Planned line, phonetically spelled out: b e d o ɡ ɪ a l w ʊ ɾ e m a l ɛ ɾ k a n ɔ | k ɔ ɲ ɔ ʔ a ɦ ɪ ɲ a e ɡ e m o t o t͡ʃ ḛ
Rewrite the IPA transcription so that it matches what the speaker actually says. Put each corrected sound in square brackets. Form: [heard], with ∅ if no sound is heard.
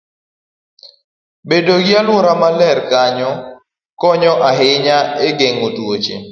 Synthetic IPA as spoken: b e d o ɡ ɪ a l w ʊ ɾ [a] m a l ɛ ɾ k a [ɲ] ɔ | k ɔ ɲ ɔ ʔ a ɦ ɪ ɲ a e ɡ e [ŋ] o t o t͡ʃ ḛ

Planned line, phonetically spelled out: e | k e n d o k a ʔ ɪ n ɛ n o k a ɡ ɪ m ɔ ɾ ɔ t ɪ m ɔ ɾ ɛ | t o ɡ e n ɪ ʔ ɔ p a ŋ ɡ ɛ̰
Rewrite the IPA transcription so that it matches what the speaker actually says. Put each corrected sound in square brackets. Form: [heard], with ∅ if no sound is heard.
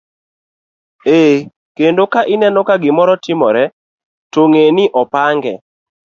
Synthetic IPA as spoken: e | k e n d o k a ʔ ɪ n ɛ n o k a ɡ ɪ m ɔ ɾ ɔ t ɪ m ɔ ɾ ɛ | t o [ŋ] e n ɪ ʔ ɔ p a ŋ ɡ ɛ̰

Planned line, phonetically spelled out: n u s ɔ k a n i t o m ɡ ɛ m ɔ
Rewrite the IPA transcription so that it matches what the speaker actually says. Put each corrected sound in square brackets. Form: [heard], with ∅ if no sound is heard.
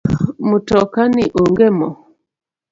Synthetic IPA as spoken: [m] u [t] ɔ k a n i [ʔ] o [ŋ] ɡ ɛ m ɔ

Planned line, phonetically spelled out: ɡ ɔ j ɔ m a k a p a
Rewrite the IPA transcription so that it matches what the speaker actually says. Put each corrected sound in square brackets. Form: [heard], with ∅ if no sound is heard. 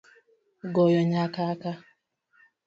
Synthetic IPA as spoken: ɡ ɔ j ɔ [ɲ] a k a [k] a

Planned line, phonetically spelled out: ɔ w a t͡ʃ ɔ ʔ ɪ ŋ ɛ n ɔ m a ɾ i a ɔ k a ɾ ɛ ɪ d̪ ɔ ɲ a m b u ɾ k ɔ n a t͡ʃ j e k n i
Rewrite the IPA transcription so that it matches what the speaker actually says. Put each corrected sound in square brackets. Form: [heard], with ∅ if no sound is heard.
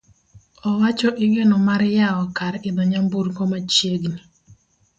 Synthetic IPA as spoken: ɔ w a t͡ʃ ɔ ʔ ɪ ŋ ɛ n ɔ m a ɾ [j] a ɔ k a ɾ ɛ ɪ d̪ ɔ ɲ a m b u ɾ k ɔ [m] a t͡ʃ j e [ɡ] n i

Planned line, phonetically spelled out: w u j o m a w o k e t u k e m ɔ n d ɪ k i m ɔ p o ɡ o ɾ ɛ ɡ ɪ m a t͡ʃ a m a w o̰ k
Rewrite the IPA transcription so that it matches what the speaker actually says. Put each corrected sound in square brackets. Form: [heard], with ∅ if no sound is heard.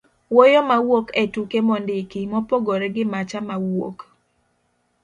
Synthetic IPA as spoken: w [o] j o m a w o k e t u k e m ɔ n d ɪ k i m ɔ p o ɡ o ɾ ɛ ɡ ɪ m a t͡ʃ a m a w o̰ k

